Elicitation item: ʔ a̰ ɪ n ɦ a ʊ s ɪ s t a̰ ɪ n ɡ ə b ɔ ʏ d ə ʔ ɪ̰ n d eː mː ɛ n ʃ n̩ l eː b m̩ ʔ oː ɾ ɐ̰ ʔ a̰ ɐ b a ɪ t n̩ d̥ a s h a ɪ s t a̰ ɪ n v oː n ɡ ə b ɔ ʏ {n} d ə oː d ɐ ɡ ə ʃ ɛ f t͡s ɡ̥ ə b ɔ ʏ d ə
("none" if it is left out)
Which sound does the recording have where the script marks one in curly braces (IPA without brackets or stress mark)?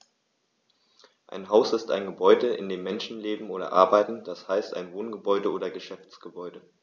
none